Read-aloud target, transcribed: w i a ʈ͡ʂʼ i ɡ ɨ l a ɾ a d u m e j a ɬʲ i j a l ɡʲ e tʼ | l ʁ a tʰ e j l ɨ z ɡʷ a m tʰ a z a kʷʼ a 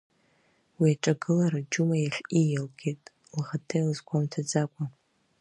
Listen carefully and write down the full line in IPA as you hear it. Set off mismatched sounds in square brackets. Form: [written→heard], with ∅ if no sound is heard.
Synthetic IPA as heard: w i a ʈ͡ʂʼ [i→a] ɡ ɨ l a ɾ a [d→d͡ʒ] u m [e→a] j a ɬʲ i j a l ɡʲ e tʼ | l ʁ a tʰ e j l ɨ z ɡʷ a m tʰ a [z→d͡z] a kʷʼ a